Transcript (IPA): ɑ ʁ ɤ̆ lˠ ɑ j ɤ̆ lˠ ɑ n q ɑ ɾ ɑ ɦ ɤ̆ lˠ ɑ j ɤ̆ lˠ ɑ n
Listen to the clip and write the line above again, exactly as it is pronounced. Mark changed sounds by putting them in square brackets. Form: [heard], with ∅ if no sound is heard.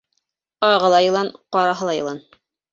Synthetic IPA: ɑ ʁ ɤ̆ lˠ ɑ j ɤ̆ lˠ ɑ n q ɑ ɾ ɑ ɦ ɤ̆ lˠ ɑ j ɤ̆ lˠ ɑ n